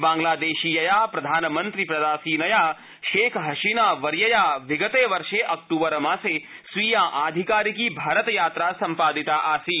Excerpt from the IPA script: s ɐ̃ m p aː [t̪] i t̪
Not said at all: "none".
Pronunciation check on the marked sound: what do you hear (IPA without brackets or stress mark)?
d̪